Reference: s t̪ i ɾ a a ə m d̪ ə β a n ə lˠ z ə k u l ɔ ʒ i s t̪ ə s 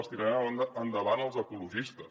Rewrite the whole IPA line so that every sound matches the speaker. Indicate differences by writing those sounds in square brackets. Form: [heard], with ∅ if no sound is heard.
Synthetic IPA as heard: s t̪ i ɾ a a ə [n] d̪ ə β a n ə lˠ z ə k u l [u] ʒ i s t̪ ə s